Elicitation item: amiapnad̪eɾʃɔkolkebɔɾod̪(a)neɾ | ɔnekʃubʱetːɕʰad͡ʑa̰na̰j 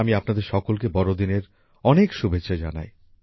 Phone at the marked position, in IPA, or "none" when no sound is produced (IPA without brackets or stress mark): i